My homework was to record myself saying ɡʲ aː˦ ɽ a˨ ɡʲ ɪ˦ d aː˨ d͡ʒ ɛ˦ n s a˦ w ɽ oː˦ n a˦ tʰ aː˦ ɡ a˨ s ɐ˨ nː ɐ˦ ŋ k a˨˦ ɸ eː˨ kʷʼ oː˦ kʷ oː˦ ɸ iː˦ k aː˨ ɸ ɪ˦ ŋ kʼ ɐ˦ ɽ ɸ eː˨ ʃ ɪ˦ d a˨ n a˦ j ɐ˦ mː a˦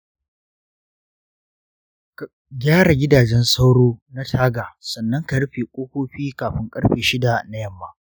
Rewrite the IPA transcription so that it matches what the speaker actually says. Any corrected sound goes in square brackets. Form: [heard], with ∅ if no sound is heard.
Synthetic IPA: ɡʲ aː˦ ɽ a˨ ɡʲ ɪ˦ d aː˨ d͡ʒ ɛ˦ n s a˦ w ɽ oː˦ n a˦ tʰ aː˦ ɡ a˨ s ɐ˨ nː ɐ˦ ŋ k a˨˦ ɸ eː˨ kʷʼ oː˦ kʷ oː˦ ɸ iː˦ k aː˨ ɸ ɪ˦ ŋ kʼ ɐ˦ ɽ ɸ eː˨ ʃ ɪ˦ d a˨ n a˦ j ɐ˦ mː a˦